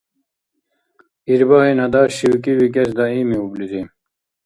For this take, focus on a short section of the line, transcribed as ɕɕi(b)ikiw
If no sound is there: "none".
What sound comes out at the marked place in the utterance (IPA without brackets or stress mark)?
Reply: w